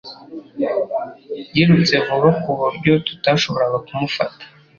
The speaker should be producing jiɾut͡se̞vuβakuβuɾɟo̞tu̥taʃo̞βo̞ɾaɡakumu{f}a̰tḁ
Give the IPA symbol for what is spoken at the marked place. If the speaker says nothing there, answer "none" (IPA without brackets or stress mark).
f